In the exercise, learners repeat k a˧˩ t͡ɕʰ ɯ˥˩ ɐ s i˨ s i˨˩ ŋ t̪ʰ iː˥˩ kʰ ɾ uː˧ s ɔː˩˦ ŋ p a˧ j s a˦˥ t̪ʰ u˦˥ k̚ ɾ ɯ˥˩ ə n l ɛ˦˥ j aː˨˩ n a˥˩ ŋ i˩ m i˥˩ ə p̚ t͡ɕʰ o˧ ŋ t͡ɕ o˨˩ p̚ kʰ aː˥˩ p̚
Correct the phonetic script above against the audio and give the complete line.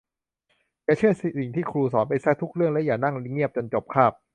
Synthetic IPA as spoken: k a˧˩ t͡ɕʰ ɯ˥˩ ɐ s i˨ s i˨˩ ŋ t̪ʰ iː˥˩ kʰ ɾ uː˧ s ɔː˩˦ n p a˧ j s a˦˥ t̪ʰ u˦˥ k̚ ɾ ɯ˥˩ ə ŋ l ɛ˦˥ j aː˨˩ n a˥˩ ŋ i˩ ŋ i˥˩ ə p̚ t͡ɕ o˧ n t͡ɕ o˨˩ p̚ kʰ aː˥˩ p̚